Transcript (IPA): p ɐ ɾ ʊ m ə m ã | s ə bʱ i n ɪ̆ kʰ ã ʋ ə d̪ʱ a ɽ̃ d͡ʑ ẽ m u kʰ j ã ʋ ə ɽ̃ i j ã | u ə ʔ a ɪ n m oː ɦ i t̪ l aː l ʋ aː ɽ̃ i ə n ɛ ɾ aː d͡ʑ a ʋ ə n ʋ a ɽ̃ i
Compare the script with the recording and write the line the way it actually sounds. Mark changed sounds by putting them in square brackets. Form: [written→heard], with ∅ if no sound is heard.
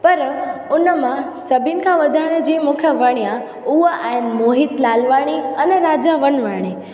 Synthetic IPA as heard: p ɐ ɾ ʊ [m→n] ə m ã | s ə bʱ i n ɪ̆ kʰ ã ʋ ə d̪ʱ a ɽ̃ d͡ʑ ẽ m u kʰ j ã ʋ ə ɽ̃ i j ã | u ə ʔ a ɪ n m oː ɦ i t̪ l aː l ʋ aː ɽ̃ i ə n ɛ ɾ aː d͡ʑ a ʋ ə n ʋ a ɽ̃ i

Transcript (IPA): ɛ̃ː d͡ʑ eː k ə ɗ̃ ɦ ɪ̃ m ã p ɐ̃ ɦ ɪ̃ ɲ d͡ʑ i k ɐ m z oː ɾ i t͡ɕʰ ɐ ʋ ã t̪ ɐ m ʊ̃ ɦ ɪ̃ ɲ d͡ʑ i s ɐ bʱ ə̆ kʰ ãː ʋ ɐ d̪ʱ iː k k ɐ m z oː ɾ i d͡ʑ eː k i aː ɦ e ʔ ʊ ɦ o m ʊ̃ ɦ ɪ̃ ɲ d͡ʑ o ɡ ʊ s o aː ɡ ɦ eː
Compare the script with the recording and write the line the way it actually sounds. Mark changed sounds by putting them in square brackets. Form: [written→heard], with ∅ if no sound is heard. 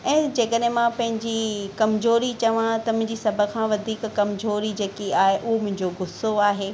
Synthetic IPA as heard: ɛ̃ː d͡ʑ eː k ə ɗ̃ ɦ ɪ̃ m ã p ɐ̃ ɦ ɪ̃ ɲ d͡ʑ i k ɐ m z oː ɾ i [t͡ɕʰ→t͡ɕ] ɐ ʋ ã t̪ ɐ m ʊ̃ ɦ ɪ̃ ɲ d͡ʑ i s ɐ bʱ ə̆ kʰ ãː ʋ ɐ d̪ʱ iː k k ɐ m z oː ɾ i d͡ʑ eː k i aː ɦ e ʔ ʊ ɦ o m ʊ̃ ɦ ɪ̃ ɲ d͡ʑ o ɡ ʊ s o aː [ɡ→∅] ɦ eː

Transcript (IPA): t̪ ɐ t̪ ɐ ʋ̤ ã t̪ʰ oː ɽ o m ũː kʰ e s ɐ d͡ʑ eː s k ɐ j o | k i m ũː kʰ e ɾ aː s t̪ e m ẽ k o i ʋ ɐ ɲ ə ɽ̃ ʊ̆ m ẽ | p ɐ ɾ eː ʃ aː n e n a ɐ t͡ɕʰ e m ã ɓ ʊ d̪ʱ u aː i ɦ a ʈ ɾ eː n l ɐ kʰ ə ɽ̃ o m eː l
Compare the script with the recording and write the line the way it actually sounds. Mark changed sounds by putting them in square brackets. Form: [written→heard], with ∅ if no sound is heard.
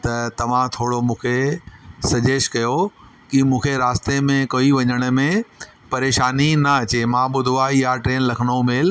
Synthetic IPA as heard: t̪ ɐ t̪ ɐ ʋ̤ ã t̪ʰ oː ɽ o m ũː kʰ e s ɐ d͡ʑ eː [s→ʃ] k ɐ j o | k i m ũː kʰ e ɾ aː s t̪ e m ẽ k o i ʋ ɐ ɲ ə ɽ̃ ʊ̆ m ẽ | p ɐ ɾ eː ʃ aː n [e→i] n [a→ɐ] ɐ [t͡ɕʰ→t͡ɕ] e m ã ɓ ʊ d̪ʱ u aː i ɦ a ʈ ɾ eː n l ɐ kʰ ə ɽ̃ o m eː l

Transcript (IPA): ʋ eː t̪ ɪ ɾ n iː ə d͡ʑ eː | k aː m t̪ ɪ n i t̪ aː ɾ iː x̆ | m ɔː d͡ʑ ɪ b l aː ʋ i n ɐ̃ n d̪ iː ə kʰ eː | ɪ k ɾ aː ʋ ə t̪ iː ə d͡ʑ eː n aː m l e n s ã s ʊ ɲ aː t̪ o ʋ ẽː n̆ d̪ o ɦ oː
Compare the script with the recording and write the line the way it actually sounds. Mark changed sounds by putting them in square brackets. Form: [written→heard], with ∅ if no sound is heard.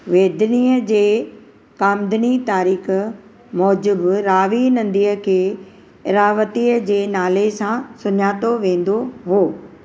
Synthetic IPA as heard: ʋ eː [t̪→d̪] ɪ [ɾ→∅] n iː ə d͡ʑ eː | k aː m [t̪→d̪] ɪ n i t̪ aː ɾ iː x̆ | m ɔː d͡ʑ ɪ b [l→ɾ] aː ʋ i n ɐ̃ n d̪ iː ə kʰ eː | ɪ [k→∅] ɾ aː ʋ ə t̪ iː ə d͡ʑ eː n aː [m→∅] l e [n→∅] s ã s ʊ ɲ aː t̪ o ʋ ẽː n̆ d̪ o ɦ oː

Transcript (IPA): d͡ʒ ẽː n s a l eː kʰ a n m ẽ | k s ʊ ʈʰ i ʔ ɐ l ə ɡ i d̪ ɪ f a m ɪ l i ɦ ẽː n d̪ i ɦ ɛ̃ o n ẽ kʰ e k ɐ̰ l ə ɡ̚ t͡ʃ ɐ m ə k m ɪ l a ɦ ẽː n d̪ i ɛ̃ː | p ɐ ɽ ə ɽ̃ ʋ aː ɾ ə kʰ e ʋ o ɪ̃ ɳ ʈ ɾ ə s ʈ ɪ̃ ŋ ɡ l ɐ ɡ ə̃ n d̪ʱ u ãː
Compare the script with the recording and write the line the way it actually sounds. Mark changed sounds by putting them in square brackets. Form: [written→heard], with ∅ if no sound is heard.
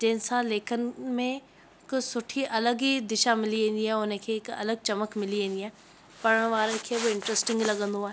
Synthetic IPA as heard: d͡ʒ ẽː n s a l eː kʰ [a→ə] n m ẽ | k s ʊ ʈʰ i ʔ ɐ l ə ɡ i d̪ ɪ [f→ʃ] a m ɪ l i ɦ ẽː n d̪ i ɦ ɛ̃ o n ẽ kʰ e k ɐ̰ l ə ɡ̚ t͡ʃ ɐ m ə k m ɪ l [a→i] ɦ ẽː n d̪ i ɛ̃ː | p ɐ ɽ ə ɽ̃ ʋ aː ɾ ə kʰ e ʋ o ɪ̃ ɳ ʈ ɾ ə s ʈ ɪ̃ ŋ ɡ l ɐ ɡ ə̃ n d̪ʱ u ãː

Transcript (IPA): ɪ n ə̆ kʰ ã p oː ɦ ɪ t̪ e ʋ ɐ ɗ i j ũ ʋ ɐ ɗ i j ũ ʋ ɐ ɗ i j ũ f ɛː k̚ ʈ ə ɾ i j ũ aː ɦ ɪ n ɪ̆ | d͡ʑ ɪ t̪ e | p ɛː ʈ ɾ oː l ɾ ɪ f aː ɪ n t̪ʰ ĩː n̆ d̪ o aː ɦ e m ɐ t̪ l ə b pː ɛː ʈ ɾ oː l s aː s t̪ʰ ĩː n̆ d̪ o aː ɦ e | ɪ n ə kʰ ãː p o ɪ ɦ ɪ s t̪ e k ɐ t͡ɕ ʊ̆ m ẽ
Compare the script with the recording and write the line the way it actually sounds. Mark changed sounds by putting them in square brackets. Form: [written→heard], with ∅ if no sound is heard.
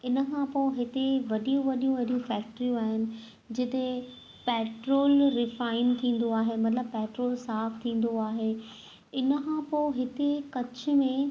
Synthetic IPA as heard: ɪ n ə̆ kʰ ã p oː ɦ ɪ t̪ e ʋ ɐ ɗ i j ũ ʋ ɐ ɗ i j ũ ʋ ɐ ɗ i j ũ f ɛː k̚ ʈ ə ɾ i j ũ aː ɦ ɪ n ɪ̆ | d͡ʑ ɪ t̪ e | p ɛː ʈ ɾ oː l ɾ ɪ f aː ɪ n t̪ʰ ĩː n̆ d̪ o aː ɦ e m ɐ t̪ l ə b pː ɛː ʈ ɾ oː l s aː [s→f] t̪ʰ ĩː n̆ d̪ o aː ɦ e | ɪ n ə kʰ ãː p o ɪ ɦ ɪ [s→∅] t̪ e k ɐ t͡ɕ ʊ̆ m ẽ

